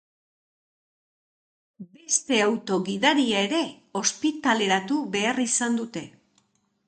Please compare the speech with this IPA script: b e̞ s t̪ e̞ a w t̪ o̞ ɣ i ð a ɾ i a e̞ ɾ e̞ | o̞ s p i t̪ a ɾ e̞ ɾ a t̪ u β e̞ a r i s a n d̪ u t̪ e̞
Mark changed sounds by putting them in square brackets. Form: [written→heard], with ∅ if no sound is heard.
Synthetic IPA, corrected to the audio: b e̞ s t̪ e̞ a w t̪ o̞ ɣ i ð a ɾ i a e̞ ɾ e̞ | o̞ s p i t̪ a [ɾ→l] e̞ ɾ a t̪ u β e̞ a r i s a n d̪ u t̪ e̞